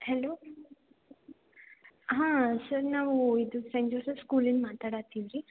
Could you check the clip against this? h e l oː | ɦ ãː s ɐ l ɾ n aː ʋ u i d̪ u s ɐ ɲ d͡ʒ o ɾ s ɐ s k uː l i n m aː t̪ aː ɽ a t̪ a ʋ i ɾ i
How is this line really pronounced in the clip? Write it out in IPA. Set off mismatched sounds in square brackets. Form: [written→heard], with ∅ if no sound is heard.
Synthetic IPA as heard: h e l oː | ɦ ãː s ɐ [l→∅] ɾ n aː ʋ u i d̪ u s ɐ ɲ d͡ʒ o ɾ s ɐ s k uː l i n m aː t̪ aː ɽ a t̪ [a→i] ʋ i ɾ i